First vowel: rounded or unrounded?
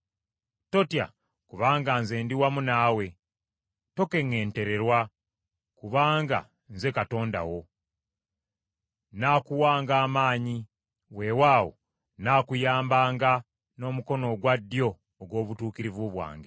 rounded